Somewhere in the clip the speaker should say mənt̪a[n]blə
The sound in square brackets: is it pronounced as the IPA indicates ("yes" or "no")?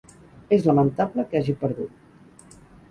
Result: no